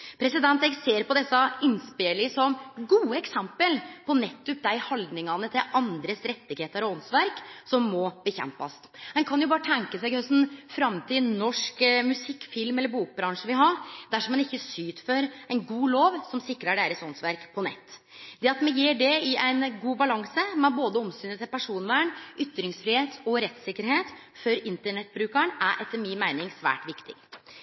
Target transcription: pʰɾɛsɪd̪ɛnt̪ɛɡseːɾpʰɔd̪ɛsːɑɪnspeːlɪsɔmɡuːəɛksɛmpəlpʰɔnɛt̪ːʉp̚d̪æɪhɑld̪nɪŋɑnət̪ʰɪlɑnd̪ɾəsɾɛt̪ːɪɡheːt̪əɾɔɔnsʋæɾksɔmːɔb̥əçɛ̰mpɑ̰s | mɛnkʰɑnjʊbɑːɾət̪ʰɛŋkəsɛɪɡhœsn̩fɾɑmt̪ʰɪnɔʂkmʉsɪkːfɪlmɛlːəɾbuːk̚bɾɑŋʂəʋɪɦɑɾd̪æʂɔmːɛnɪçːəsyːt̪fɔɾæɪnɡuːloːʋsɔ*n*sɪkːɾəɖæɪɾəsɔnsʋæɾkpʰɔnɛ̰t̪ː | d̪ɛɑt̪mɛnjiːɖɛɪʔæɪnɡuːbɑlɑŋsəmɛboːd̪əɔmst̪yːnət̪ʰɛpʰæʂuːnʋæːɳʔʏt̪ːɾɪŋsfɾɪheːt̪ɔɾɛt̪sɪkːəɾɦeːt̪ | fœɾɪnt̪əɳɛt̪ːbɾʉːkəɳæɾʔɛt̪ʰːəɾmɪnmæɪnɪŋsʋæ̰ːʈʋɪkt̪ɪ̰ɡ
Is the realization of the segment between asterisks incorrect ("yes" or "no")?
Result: yes